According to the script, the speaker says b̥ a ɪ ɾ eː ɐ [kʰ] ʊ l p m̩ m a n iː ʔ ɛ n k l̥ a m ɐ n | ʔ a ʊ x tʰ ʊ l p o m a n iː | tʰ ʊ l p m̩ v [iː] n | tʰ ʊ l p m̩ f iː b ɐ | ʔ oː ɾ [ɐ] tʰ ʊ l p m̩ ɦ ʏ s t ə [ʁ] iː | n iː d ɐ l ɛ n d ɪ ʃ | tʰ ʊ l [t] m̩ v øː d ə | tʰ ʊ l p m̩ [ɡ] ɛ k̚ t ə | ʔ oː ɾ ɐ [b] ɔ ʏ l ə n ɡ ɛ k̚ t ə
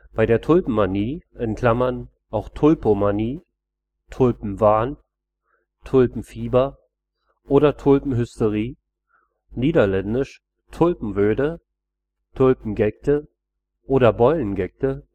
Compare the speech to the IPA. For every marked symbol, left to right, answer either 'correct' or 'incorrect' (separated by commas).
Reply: incorrect, incorrect, correct, correct, incorrect, correct, correct